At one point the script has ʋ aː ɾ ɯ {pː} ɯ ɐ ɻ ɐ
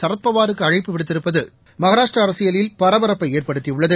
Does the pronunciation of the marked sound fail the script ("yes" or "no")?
yes